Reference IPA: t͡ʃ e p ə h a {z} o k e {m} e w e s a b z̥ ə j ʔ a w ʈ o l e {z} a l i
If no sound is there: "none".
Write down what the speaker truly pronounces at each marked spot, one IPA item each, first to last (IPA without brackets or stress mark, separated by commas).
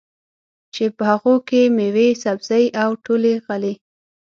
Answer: ɣ, m, ɣ